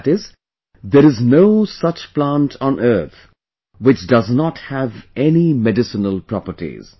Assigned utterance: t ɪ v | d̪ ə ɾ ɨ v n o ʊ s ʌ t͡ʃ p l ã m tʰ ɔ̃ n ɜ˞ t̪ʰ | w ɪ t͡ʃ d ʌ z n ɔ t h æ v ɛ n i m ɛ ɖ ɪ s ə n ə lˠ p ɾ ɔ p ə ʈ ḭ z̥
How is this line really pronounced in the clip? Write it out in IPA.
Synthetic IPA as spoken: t ɪ z | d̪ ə ɾ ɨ z n o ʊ s ʌ t͡ʃ p l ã n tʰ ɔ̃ n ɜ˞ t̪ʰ | w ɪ t͡ʃ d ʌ z n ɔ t h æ v ɛ n i m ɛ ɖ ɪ s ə n ə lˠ p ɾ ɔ p ə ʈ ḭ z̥